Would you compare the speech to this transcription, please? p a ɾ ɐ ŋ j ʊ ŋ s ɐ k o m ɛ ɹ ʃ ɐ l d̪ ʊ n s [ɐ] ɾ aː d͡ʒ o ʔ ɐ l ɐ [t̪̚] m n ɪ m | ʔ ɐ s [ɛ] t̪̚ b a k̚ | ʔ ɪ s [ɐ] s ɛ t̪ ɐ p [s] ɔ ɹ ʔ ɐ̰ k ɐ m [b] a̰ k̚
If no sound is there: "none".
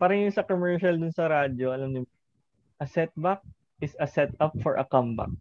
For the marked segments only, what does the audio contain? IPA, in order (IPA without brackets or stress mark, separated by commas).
ɐ, none, ɛ, ɐ, f, b